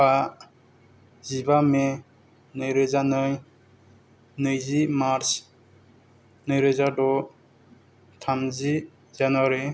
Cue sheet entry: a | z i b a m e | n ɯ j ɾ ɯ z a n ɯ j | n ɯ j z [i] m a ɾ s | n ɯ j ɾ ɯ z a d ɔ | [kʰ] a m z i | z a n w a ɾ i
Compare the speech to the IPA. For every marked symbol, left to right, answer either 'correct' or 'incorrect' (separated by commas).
correct, incorrect